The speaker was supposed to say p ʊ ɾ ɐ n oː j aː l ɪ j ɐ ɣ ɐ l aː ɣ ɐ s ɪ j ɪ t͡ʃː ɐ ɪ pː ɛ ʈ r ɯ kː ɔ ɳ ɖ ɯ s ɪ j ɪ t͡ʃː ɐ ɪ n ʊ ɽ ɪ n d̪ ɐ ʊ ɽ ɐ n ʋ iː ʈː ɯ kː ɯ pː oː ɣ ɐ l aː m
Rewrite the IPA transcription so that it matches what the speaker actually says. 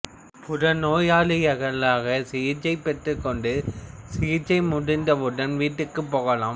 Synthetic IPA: p ʊ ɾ ɐ n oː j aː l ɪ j ɐ ɣ ɐ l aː ɣ ɐ s ɪ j ɪ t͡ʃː ɐ ɪ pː ɛ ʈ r ɯ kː ɔ ɳ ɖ ɯ s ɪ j ɪ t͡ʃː ɐ ɪ m ʊ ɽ ɪ n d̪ ɐ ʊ ɽ ɐ n ʋ iː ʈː ɯ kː ɯ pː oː ɣ ɐ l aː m

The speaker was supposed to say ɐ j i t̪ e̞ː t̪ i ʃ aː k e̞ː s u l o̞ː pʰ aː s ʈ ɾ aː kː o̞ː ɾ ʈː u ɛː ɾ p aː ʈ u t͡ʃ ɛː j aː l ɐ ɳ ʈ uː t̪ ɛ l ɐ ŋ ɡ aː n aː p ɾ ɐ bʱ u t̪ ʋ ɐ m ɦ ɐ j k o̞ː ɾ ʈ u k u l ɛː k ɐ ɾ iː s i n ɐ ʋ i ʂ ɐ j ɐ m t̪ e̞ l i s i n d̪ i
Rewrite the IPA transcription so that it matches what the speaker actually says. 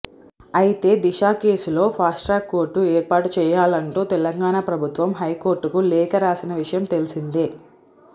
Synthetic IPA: ɐ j i t̪ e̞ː d̪ i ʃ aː k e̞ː s u l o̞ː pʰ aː s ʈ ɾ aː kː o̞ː ɾ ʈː u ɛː ɾ p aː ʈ u t͡ʃ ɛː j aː l ɐ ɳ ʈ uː t̪ ɛ l ɐ ŋ ɡ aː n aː p ɾ ɐ bʱ u t̪ ʋ ɐ m ɦ ɐ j k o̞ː ɾ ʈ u k u l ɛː k ɐ ɾ aː s i n ɐ ʋ i ʂ ɐ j ɐ m t̪ e̞ l i s i n d̪ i

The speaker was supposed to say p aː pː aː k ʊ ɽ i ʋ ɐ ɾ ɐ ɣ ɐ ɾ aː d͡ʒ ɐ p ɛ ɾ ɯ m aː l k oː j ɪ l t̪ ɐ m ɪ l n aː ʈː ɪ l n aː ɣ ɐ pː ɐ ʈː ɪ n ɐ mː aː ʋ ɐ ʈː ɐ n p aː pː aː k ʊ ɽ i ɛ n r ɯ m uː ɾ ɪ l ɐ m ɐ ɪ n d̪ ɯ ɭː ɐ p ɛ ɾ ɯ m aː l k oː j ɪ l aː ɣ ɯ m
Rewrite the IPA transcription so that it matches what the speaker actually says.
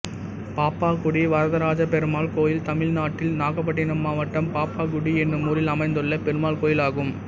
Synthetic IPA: p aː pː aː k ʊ ɽ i ʋ ɐ ɾ ɐ ð ɐ ɾ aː d͡ʒ ɐ p ɛ ɾ ɯ m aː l k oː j ɪ l t̪ ɐ m ɪ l n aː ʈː ɪ l n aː ɣ ɐ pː ɐ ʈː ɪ n ɐ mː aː ʋ ɐ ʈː ɐ m p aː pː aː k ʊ ɽ i ɛ n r ɯ m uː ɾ ɪ l ɐ m ɐ ɪ n d̪ ɯ ɭː ɐ p ɛ ɾ ɯ m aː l k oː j ɪ l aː ɣ ɯ m

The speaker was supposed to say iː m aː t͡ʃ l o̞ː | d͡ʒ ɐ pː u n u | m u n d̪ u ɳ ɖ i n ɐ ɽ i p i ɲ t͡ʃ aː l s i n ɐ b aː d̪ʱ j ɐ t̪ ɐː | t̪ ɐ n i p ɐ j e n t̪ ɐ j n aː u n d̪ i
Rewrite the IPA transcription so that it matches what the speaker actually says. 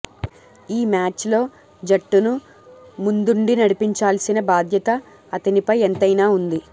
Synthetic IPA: iː m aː t͡ʃ l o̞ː | d͡ʒ ɐ ʈː u n u | m u n d̪ u ɳ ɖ i n ɐ ɽ i p i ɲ t͡ʃ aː l s i n ɐ b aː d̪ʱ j ɐ t̪ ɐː | t̪ ɐ n i p ɐ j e n t̪ ɐ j n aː u n d̪ i

